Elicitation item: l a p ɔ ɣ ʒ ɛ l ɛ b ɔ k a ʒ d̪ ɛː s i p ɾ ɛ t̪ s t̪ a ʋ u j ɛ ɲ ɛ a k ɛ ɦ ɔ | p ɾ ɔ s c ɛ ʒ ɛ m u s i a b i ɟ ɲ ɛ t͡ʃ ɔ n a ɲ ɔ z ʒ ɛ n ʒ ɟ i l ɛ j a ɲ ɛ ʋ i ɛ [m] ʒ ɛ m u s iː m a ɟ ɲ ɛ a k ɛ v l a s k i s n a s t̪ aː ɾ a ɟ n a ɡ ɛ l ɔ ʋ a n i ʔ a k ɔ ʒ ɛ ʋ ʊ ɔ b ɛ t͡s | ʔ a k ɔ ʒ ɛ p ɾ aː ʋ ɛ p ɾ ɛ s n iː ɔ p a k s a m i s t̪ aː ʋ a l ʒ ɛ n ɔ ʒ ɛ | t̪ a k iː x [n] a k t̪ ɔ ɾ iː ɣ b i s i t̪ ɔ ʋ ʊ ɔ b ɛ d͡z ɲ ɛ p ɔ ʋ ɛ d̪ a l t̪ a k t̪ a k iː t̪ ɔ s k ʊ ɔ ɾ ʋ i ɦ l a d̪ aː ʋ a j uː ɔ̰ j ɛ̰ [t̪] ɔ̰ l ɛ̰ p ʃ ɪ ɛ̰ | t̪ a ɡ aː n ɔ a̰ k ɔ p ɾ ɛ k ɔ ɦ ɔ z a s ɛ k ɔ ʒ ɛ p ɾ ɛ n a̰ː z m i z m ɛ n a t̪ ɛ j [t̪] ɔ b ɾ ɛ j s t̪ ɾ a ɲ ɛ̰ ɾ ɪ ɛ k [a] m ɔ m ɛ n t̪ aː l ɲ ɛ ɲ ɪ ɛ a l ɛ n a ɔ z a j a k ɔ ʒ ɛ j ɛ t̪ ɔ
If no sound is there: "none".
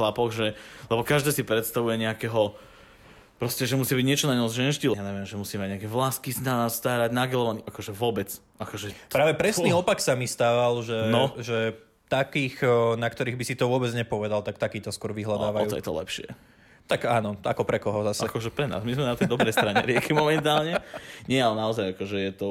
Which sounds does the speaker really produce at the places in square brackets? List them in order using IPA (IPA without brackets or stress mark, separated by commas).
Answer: m, n, t̪, d̪, i